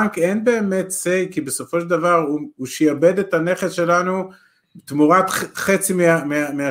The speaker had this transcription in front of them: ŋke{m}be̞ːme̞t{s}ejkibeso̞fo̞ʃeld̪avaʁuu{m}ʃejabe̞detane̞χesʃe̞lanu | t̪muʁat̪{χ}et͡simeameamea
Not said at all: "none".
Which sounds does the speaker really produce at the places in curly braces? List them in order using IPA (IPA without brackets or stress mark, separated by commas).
n, s, none, χ